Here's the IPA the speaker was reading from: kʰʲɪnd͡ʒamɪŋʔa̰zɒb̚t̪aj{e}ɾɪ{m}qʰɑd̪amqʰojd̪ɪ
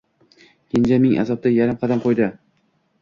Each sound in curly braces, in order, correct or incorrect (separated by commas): incorrect, correct